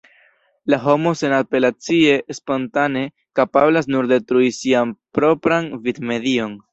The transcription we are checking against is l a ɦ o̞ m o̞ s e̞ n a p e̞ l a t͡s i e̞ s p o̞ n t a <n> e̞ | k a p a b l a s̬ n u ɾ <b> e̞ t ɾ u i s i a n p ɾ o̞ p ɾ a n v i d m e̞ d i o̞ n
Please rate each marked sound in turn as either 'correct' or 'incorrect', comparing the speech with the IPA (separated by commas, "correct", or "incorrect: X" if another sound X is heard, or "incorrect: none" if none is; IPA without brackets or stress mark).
correct, incorrect: d